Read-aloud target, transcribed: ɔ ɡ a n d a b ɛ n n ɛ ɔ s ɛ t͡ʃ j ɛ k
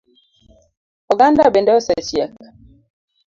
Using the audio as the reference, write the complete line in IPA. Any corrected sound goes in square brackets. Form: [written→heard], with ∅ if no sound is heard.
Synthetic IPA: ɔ ɡ a n d a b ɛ n [n→d] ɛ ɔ s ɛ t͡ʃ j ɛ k